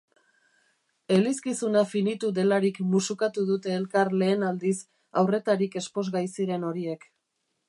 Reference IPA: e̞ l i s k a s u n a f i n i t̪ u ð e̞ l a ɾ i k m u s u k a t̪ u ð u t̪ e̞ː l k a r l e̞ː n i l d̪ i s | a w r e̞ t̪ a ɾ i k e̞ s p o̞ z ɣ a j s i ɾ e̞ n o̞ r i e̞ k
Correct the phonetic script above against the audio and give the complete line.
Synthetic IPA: e̞ l i s k i s u n a f i n i t̪ u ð e̞ l a ɾ i k m u s u k a t̪ u ð u t̪ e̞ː l k a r l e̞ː n a l d̪ i s | a w r e̞ t̪ a ɾ i k e̞ s p o̞ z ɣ a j s i ɾ e̞ n o̞ ɾ i e̞ k